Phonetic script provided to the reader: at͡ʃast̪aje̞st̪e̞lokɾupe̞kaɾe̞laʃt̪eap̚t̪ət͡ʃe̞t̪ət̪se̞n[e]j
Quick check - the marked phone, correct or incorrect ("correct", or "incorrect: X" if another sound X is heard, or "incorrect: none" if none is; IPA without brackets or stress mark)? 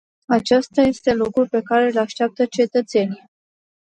incorrect: i